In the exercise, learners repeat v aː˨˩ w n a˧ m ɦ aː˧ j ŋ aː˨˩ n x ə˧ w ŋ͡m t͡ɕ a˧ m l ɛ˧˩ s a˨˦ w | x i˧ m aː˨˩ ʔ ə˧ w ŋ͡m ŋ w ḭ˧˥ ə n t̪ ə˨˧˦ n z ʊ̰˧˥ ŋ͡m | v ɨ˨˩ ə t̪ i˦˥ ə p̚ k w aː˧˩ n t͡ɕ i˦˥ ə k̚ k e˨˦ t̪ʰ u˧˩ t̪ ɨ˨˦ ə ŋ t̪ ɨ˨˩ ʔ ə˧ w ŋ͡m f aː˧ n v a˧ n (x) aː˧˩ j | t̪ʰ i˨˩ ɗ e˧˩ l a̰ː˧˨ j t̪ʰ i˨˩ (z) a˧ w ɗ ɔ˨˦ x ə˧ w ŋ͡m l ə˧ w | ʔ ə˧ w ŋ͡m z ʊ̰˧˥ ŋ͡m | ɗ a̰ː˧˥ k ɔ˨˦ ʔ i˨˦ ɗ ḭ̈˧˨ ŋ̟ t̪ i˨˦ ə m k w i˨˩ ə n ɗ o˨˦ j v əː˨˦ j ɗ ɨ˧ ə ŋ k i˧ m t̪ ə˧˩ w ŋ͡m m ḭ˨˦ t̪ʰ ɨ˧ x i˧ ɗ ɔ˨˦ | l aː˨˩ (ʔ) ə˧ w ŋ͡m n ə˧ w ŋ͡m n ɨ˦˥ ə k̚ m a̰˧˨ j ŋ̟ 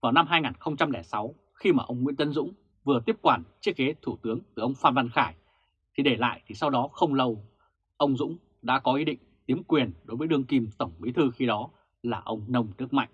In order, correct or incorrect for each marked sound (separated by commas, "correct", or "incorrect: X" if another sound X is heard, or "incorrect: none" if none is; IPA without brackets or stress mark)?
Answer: correct, incorrect: s, correct